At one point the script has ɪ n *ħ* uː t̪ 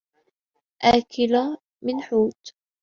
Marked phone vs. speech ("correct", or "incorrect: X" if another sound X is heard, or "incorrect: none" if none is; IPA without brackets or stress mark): correct